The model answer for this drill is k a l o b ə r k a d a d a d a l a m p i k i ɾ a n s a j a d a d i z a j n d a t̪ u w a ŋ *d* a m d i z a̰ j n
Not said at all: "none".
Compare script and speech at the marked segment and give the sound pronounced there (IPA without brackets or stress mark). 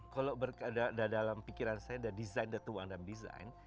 d